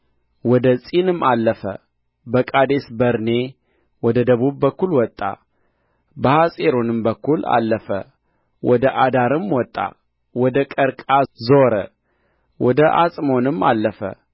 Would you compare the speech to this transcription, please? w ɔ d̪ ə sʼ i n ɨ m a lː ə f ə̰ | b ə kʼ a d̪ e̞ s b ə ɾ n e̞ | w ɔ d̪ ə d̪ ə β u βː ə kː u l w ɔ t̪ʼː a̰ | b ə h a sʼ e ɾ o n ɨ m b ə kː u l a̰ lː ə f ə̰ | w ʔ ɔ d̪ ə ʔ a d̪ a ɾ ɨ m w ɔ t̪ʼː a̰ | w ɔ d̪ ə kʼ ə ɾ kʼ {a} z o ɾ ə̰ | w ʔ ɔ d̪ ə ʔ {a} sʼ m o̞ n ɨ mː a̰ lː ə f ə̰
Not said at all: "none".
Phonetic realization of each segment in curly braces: a, a

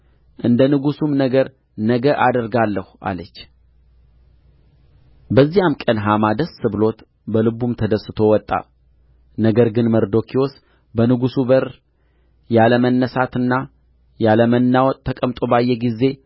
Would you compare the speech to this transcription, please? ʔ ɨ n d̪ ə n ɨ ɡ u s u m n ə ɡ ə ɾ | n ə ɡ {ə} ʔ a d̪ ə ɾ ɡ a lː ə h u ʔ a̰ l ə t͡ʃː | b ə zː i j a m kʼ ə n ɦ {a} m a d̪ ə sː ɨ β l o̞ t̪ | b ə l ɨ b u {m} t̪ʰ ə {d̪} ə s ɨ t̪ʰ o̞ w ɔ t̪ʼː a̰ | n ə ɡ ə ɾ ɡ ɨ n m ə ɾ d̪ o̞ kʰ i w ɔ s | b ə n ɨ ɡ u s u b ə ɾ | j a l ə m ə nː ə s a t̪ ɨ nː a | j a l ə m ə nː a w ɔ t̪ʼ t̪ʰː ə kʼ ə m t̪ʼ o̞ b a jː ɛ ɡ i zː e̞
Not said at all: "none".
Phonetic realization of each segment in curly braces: ə, a, m, d̪

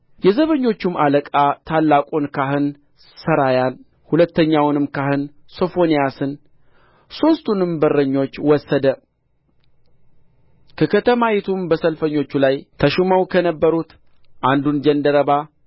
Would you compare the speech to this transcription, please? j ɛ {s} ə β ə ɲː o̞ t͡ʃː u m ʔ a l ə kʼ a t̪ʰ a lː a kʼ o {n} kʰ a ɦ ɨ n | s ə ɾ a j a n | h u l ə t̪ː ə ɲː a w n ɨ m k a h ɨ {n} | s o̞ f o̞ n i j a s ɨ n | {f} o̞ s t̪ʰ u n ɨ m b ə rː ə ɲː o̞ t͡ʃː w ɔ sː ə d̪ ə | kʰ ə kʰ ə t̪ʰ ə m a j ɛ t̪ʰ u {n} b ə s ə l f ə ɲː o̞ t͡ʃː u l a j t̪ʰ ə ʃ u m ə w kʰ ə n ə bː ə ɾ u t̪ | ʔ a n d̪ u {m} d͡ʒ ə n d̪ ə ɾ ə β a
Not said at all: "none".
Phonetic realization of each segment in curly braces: z, n, n, s, m, n

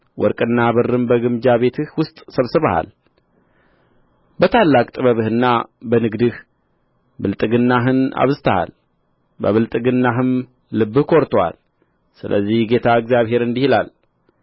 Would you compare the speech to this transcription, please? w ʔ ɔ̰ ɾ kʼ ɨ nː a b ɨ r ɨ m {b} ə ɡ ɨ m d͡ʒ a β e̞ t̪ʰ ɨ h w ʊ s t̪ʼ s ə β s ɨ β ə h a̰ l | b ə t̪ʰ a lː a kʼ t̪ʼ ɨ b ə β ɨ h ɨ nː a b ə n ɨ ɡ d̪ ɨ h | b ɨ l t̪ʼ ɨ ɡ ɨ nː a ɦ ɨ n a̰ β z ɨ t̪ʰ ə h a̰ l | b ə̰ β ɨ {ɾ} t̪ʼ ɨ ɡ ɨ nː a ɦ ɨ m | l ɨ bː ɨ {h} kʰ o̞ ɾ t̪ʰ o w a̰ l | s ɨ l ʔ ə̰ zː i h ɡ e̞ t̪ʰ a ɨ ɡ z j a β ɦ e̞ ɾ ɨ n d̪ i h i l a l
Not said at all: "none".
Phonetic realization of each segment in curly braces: b, l, h

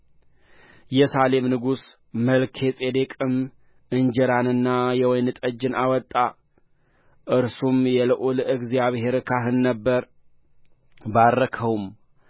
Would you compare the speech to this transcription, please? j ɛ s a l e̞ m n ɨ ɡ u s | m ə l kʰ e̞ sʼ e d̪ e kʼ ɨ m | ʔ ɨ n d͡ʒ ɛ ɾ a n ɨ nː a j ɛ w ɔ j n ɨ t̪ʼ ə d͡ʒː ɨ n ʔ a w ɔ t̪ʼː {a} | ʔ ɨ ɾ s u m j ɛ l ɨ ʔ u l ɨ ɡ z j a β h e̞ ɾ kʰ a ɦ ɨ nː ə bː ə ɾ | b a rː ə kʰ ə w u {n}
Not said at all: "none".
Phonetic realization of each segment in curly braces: a, m

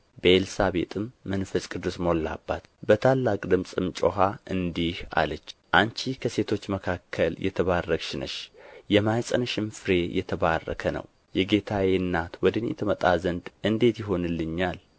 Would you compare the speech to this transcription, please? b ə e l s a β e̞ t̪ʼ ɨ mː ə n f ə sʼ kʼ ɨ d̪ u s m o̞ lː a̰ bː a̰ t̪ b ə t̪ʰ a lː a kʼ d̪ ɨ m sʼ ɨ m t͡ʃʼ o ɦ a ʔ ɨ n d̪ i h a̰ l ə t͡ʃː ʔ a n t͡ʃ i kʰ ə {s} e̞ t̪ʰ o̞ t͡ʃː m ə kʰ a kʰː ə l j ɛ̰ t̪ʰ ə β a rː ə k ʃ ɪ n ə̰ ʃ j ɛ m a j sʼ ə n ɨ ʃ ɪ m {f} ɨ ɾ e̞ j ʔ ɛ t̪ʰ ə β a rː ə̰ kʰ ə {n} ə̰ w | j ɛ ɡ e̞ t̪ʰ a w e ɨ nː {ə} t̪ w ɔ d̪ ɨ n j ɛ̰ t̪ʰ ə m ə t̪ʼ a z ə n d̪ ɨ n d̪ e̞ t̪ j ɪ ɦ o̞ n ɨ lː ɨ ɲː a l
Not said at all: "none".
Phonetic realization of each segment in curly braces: s, f, n, a

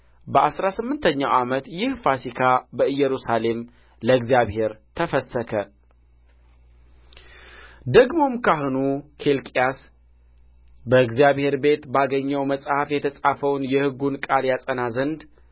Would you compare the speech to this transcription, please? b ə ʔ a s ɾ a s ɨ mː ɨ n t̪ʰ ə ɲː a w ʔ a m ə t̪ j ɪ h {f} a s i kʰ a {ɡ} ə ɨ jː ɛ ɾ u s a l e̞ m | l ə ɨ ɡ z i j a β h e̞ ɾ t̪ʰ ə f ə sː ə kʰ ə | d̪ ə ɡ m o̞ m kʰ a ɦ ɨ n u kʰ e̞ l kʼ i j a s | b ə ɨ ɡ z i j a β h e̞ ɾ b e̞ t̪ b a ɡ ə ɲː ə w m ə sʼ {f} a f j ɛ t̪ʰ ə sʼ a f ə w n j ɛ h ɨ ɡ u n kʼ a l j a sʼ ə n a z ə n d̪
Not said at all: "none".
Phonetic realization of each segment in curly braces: f, b, h

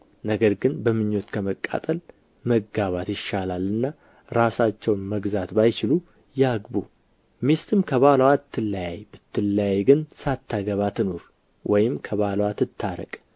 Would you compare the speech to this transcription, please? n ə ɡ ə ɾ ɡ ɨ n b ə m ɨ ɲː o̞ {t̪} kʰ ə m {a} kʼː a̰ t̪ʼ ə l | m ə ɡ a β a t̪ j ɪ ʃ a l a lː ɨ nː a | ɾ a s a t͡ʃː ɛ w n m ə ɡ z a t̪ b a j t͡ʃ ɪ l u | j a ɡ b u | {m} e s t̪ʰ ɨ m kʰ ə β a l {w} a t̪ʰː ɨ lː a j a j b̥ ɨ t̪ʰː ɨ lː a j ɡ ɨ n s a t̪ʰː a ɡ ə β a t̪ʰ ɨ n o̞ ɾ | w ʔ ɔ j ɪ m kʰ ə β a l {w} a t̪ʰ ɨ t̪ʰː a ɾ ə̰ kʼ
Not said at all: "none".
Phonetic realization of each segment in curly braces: t̪, ə, m, w, w

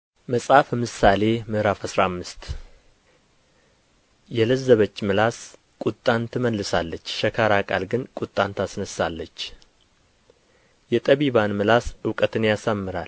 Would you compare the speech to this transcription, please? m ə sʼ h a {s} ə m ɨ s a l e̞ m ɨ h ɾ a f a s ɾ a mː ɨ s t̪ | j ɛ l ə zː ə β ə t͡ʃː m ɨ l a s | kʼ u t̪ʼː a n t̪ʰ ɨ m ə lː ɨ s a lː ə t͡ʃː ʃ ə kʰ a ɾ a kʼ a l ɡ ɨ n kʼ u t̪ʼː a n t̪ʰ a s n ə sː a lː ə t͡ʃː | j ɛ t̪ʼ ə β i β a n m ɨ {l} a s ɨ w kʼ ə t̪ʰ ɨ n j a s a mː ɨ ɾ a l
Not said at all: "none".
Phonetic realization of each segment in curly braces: f, l

